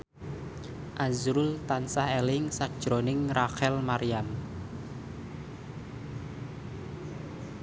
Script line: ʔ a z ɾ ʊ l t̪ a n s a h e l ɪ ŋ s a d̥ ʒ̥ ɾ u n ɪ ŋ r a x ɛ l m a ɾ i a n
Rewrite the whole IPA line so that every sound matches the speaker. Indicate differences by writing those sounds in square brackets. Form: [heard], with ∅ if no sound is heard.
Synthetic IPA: ʔ a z ɾ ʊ l t̪ a n s a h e l ɪ ŋ s a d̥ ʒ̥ ɾ [o] n ɪ ŋ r a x ɛ l m a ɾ i a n